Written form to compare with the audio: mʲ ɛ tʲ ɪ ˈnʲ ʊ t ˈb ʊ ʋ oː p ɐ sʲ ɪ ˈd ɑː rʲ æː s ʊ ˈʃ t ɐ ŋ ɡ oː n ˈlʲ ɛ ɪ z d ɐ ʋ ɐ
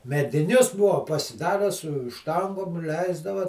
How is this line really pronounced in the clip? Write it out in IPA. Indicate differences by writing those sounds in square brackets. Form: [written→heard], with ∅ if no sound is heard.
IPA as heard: mʲ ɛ [tʲ→dʲ] ɪ ˈnʲ ʊ [t→s] ˈb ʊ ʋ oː p ɐ sʲ ɪ ˈd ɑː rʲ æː s ʊ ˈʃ t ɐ ŋ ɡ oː [n→m] ˈlʲ ɛ ɪ z d ɐ ʋ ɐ